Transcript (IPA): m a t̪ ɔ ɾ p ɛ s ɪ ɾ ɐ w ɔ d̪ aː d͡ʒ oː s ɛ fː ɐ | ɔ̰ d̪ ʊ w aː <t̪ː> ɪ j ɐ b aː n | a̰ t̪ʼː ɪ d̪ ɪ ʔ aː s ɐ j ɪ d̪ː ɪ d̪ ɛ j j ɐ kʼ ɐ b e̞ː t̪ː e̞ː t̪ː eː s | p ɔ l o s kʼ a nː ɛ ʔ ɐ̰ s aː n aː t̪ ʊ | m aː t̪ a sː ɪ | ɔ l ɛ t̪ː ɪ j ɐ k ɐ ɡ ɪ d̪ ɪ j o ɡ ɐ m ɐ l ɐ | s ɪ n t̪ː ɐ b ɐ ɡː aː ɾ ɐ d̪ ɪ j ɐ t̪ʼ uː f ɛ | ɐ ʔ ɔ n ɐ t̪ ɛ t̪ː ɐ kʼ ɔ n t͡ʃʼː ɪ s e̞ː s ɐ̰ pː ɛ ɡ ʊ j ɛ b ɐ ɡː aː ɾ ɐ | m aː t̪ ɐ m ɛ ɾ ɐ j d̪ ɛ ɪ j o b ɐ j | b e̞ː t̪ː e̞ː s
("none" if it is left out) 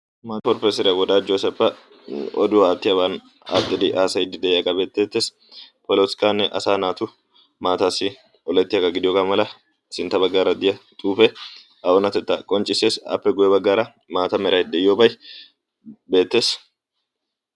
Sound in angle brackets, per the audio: t̪ː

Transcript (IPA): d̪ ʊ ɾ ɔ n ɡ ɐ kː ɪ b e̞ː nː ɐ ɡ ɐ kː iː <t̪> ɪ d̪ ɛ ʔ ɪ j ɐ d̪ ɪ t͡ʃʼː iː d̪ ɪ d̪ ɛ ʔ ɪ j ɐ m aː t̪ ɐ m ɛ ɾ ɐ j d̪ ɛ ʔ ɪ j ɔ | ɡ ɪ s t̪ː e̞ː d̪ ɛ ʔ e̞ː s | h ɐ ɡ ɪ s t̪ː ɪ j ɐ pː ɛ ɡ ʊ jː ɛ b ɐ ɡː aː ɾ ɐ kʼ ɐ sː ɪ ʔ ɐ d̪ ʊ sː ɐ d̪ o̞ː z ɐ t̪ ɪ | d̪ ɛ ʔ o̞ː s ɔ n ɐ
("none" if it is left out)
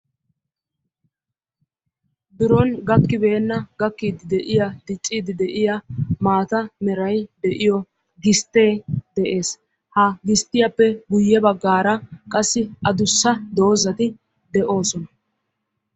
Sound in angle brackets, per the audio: d̪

